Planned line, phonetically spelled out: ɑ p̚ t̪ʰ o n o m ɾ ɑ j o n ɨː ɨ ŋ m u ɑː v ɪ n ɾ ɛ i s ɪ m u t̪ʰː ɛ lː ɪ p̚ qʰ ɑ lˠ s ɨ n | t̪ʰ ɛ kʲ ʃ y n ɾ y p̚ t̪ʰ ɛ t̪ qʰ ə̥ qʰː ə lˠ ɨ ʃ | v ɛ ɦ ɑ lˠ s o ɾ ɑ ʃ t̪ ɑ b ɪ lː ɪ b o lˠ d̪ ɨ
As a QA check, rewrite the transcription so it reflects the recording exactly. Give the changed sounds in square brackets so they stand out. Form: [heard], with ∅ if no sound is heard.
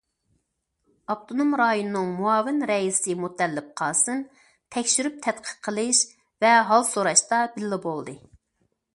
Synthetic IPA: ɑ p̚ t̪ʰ o n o m ɾ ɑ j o n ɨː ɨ ŋ m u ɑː v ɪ n ɾ ɛ i s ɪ m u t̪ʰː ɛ lː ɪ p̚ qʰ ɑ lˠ s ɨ n | t̪ʰ ɛ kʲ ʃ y [∅] ɾ y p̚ t̪ʰ ɛ t̪ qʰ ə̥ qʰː ə lˠ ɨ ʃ | v ɛ ɦ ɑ lˠ s o ɾ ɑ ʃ t̪ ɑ b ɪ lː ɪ b o lˠ d̪ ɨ